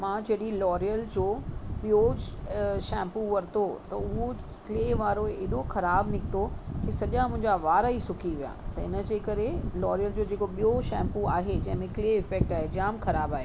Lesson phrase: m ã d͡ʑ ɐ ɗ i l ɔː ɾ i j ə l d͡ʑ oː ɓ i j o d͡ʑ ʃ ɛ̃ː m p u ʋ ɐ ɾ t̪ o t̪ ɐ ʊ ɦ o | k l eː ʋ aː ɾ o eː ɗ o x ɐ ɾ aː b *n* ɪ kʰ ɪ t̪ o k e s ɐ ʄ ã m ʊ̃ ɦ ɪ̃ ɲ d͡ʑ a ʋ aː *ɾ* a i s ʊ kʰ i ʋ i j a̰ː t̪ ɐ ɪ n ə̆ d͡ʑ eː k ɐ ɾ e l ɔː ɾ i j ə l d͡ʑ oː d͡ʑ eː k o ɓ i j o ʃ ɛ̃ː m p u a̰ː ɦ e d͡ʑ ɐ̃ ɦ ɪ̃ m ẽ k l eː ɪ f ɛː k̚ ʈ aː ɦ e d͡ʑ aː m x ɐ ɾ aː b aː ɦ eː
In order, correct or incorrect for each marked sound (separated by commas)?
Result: correct, correct